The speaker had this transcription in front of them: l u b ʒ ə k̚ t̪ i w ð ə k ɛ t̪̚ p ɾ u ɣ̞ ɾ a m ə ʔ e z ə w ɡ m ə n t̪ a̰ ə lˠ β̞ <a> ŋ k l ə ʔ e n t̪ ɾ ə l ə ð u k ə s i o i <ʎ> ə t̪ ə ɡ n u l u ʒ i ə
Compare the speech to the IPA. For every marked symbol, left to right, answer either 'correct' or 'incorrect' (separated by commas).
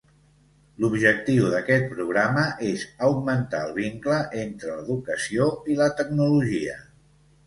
incorrect, incorrect